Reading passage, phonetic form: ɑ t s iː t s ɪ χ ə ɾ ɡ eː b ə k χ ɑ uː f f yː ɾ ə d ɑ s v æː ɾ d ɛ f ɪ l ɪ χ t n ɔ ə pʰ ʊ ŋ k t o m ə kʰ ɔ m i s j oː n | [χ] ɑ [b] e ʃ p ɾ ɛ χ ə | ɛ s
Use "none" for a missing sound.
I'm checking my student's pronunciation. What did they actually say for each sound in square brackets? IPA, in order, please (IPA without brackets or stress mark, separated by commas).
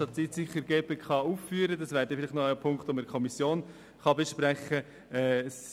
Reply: χ, b